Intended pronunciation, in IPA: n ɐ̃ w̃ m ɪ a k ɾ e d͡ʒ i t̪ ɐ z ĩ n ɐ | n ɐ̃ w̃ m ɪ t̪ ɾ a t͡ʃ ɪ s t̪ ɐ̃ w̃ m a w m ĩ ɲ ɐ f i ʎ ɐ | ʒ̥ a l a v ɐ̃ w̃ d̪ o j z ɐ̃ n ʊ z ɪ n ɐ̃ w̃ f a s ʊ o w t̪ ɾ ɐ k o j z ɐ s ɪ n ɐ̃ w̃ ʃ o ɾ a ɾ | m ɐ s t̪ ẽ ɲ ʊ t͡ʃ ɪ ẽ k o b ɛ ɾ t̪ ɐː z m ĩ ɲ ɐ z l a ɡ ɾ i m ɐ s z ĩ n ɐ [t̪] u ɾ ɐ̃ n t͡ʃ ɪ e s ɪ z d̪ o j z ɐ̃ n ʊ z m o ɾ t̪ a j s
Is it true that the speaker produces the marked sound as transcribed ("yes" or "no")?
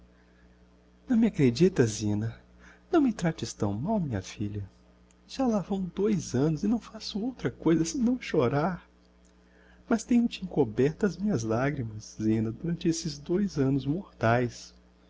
no